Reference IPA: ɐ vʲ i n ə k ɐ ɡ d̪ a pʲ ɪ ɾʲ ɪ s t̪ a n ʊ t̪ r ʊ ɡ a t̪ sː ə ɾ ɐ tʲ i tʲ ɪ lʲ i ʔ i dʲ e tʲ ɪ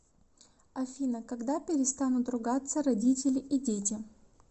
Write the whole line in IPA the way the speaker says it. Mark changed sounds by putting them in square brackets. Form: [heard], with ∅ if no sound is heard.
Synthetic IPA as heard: ɐ [fʲ] i n ə k ɐ ɡ d̪ a pʲ ɪ ɾʲ ɪ s t̪ a n ʊ t̪ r ʊ ɡ a t̪ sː ə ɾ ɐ [dʲ] i tʲ ɪ lʲ [ɪ] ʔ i dʲ e tʲ ɪ